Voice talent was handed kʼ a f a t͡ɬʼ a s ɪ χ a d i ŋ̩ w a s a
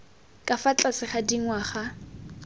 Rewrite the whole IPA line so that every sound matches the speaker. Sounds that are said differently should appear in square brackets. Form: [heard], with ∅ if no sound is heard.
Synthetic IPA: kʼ a f a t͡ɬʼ a s ɪ χ a d i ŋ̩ w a [χ] a